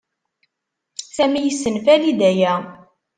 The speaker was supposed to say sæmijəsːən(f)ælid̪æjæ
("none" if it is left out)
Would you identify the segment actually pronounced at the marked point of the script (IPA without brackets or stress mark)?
f